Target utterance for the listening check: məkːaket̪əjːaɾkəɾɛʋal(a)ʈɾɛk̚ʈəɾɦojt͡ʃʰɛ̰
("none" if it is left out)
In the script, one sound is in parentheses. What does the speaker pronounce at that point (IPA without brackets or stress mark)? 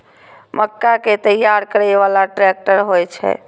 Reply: a